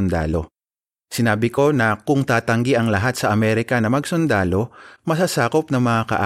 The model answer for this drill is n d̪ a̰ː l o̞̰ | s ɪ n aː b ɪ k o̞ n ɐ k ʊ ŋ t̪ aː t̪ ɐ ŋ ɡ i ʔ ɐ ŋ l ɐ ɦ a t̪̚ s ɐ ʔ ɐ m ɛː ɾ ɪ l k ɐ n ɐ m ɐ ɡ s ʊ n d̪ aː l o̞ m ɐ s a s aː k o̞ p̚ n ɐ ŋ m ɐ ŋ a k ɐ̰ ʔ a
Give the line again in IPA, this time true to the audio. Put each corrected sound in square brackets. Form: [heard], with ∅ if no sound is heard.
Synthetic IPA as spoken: n d̪ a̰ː l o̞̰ | s ɪ n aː b ɪ k o̞ n ɐ k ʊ ŋ t̪ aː t̪ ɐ ŋ ɡ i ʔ ɐ ŋ l ɐ ɦ a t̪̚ s ɐ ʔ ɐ m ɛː ɾ ɪ [∅] k ɐ n ɐ m ɐ ɡ s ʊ n d̪ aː l o̞ m ɐ s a s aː k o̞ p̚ n ɐ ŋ m ɐ ŋ a k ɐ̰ ʔ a